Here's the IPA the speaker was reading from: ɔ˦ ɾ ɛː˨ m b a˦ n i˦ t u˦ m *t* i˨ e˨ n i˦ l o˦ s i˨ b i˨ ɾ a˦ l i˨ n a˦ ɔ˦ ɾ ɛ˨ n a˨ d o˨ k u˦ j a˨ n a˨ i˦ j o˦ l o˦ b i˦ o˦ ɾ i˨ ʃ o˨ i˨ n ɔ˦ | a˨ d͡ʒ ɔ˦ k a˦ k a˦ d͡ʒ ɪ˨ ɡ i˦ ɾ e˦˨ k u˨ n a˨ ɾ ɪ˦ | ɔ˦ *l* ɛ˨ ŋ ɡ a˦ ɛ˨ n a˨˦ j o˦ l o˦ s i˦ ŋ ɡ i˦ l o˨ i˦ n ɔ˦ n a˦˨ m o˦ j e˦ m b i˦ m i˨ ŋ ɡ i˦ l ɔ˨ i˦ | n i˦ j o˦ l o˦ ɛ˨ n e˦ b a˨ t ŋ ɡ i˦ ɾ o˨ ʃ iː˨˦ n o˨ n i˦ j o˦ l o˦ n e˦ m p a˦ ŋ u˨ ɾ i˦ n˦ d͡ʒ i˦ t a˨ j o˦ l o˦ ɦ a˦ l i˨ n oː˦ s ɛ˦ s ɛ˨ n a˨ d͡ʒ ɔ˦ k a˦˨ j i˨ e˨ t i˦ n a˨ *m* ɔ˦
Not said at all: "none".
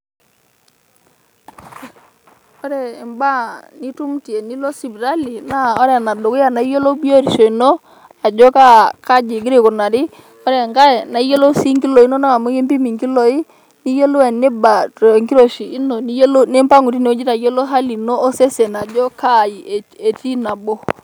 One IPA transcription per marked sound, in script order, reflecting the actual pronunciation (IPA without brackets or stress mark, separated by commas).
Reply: t, ɾ, b